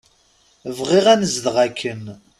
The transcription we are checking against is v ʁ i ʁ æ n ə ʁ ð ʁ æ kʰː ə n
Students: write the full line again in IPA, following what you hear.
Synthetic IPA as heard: v ʁ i ʁ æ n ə z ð ʁ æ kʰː ə n